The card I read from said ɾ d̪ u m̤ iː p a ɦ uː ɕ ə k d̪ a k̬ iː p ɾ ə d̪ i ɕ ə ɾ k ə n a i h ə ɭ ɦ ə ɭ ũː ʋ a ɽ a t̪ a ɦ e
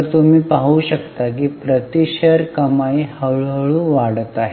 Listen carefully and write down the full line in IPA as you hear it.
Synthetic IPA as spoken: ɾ t̪ u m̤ iː p a ɦ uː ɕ ə k t̪ a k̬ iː p ɾ ə t̪ i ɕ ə ɾ k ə m a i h ə ɭ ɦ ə ɭ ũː ʋ a ɽ ə t̪ a ɦ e